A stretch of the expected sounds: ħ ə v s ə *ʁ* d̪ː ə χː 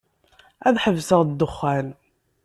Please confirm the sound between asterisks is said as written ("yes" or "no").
yes